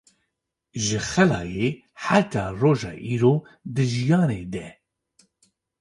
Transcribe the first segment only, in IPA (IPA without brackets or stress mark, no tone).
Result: ʒ